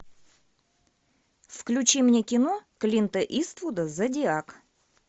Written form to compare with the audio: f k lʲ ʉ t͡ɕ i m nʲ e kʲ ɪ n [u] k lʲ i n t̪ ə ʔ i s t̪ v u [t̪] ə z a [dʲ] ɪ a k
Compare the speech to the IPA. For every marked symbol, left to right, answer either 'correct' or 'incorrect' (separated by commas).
incorrect, incorrect, correct